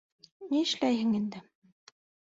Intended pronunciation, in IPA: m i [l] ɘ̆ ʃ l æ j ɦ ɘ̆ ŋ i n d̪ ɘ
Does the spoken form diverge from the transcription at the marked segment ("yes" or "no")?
yes